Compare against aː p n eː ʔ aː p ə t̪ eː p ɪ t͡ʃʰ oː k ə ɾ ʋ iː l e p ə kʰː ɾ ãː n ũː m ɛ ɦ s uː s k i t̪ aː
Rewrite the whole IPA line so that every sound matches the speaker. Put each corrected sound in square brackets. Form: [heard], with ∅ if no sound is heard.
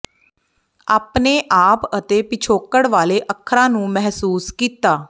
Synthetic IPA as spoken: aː p n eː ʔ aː p ə t̪ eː p ɪ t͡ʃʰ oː k ə [ɽ] ʋ [aː] l e [ʔ] ə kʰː ɾ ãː n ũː m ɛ ɦ s uː s k [iː] t̪ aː